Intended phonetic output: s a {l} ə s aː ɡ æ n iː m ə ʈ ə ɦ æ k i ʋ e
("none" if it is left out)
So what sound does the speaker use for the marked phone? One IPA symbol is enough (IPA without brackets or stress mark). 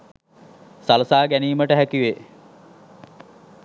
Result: l